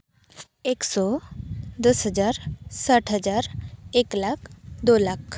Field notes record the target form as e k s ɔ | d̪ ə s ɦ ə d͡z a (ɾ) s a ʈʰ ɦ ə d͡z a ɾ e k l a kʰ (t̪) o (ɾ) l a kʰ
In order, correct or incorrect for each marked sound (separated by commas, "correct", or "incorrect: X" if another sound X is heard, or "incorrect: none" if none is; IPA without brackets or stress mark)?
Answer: correct, incorrect: d̪, incorrect: none